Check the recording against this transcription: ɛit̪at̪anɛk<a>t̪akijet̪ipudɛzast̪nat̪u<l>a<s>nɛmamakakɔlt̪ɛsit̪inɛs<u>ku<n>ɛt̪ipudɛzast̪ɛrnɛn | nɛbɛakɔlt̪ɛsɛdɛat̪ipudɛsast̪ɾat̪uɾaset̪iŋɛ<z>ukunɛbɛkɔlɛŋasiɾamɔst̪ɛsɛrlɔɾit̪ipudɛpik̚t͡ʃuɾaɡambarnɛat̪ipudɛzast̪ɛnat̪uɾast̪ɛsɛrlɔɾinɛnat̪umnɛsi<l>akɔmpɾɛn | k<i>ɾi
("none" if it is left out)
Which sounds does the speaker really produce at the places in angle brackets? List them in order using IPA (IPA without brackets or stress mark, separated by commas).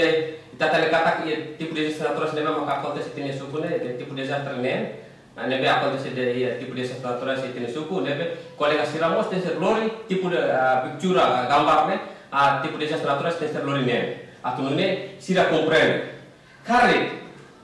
a, ɾ, s, u, n, s, ɾ, a